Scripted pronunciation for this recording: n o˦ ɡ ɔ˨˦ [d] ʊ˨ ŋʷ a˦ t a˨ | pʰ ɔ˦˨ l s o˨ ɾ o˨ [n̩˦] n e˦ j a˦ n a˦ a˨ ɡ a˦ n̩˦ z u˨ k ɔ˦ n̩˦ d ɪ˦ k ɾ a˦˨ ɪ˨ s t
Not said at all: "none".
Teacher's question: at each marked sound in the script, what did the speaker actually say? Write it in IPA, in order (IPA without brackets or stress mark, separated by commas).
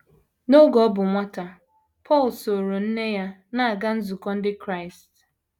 b, n̩˦